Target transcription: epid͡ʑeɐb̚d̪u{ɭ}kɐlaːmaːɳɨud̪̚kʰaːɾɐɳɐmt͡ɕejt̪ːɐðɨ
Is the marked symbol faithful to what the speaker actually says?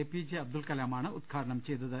no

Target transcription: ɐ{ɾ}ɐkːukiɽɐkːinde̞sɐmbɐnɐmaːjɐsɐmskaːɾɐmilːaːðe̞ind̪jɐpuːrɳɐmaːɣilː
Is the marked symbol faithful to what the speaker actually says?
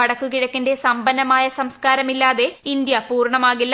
no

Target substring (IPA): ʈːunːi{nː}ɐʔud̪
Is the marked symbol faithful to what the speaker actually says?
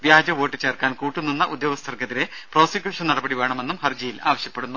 yes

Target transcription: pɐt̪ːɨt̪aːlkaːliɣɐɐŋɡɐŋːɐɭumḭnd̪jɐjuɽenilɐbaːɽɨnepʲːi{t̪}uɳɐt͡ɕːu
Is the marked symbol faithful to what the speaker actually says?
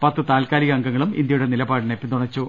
yes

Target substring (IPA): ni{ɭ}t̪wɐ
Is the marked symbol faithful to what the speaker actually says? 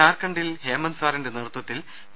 no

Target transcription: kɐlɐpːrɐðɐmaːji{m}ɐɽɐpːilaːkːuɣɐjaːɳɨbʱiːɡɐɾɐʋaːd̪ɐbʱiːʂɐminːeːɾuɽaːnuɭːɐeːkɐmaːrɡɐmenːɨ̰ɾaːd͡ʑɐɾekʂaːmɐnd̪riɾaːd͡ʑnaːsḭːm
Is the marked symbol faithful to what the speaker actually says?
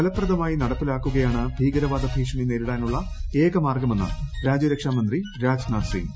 no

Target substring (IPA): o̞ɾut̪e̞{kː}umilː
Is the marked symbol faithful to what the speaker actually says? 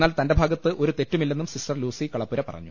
no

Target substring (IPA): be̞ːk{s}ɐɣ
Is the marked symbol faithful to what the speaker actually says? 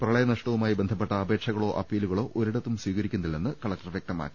no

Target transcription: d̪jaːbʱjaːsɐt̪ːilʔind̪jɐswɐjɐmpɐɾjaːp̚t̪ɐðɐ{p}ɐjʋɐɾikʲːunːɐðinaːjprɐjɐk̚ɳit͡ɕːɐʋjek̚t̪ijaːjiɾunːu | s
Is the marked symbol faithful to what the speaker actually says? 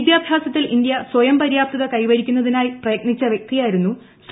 no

